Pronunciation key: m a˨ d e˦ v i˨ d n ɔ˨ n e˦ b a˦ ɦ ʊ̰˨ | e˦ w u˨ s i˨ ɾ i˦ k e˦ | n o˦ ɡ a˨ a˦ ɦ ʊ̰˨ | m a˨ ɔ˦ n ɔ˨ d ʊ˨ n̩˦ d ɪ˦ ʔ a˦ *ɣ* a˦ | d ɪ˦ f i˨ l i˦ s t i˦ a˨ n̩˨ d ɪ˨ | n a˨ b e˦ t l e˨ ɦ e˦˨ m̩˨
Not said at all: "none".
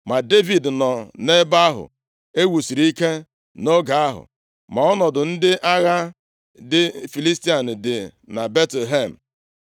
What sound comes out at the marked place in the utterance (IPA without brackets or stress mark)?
ɣ